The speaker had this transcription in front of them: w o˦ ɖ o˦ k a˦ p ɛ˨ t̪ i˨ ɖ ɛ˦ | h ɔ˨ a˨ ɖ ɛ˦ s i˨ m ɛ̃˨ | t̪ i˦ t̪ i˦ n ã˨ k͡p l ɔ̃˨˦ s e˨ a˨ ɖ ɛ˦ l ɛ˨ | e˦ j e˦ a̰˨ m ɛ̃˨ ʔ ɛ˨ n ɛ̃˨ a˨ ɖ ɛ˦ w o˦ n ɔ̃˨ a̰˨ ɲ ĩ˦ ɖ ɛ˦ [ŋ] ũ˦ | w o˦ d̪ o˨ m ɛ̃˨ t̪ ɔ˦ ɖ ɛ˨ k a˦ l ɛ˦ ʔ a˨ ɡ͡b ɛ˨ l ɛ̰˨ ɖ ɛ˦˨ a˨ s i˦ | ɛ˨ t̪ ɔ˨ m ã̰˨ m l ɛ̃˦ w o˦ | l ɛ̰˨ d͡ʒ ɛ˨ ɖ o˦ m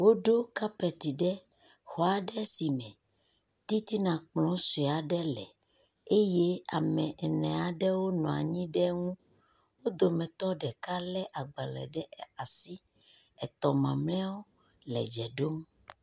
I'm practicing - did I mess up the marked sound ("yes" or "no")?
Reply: no